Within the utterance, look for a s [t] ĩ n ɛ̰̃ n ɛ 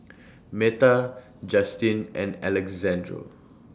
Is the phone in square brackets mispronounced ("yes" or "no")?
no